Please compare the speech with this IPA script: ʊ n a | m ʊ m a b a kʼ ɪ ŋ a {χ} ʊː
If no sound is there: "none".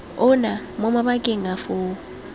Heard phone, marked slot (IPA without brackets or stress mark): f